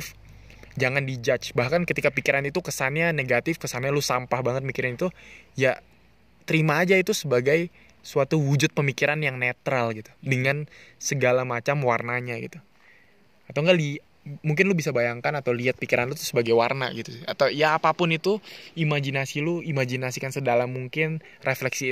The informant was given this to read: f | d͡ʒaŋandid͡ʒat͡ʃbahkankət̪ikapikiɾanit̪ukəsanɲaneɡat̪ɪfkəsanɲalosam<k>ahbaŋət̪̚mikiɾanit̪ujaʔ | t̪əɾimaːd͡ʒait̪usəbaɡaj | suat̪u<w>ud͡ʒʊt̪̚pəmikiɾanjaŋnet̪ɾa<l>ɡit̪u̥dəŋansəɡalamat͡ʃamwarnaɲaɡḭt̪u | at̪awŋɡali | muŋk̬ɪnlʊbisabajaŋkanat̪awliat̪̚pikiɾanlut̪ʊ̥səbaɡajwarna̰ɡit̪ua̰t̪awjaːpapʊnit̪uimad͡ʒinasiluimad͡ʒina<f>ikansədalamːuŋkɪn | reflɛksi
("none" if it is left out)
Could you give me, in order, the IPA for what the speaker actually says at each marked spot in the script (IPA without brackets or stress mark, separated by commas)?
p, w, l, s